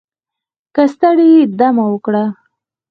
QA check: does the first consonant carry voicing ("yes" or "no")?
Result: no